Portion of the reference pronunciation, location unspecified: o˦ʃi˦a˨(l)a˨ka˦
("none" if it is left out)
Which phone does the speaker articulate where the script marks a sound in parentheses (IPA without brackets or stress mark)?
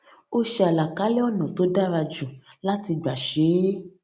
l